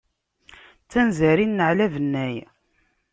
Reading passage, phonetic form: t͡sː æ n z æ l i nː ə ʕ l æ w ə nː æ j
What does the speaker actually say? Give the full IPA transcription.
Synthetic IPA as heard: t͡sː æ n z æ ɾ i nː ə ʕ l æ v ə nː æ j